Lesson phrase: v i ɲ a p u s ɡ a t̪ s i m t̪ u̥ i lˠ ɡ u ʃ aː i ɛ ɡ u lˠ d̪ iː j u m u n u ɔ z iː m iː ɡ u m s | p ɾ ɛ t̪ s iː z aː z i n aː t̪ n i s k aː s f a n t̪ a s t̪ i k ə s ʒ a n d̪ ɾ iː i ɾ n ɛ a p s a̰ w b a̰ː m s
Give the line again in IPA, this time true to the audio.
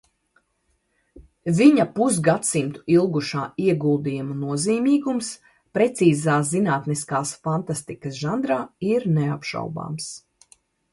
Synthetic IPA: v i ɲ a p u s ɡ a t̪ s i m t̪ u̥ i lˠ ɡ u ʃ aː i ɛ ɡ u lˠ d̪ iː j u m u n u ɔ z iː m iː ɡ u m s | p ɾ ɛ t̪ s iː z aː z i n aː t̪ n i s k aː s f a n t̪ a s t̪ i k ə s ʒ a n d̪ ɾ aː i ɾ n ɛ a p ʃ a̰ w b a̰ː m s